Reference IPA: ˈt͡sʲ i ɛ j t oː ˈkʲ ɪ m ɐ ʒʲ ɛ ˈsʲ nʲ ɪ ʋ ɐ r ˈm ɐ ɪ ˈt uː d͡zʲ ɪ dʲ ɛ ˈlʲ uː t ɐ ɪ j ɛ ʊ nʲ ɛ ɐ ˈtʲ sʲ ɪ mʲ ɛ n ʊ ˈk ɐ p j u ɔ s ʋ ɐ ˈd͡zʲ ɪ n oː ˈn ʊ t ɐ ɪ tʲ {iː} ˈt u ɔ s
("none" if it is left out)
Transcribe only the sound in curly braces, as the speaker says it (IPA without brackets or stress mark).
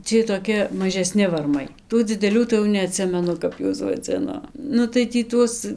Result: iː